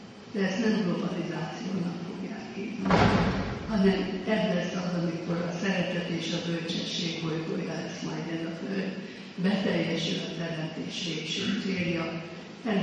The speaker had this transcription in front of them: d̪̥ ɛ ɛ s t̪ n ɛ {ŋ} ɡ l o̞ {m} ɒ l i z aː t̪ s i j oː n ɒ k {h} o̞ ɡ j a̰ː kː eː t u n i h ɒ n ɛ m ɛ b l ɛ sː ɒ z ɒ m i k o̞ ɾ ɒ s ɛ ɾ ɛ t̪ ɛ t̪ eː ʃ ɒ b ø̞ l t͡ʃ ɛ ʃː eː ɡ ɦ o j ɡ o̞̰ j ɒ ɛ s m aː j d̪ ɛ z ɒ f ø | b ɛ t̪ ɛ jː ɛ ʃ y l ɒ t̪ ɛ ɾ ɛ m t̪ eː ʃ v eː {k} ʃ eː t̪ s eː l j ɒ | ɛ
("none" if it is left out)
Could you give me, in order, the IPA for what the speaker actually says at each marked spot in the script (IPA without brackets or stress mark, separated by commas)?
m, b, f, k